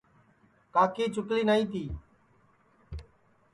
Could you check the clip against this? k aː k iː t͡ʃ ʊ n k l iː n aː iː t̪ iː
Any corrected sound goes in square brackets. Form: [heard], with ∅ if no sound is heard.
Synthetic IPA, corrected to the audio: k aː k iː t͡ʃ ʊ [∅] k l iː n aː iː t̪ iː